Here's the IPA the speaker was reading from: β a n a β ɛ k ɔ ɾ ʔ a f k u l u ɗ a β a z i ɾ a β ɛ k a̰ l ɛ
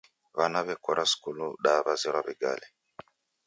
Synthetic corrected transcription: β a n a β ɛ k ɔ ɾ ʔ a s k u l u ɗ a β a z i ɾ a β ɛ ɡ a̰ l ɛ